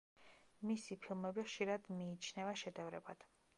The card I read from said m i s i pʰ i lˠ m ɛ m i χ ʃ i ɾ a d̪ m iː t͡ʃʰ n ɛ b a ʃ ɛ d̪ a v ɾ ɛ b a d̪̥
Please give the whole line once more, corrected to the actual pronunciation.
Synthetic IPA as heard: m i s i pʰ i lˠ m ɛ b i χ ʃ i ɾ a d̪ m iː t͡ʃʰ n ɛ v a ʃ ɛ d̪ ɛ v ɾ ɛ b a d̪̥